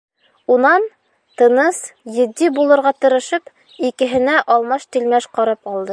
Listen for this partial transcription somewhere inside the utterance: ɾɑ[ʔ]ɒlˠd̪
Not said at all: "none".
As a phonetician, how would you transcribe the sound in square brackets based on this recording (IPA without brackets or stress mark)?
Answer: p